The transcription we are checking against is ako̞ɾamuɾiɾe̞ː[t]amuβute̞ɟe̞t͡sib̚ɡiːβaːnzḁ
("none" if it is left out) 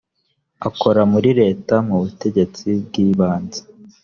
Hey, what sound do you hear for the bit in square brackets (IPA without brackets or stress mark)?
t